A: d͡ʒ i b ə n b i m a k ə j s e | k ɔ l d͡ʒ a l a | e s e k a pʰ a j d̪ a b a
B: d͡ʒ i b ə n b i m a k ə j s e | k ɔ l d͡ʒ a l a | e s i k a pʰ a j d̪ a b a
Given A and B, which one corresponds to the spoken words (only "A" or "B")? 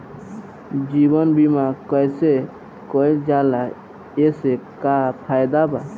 A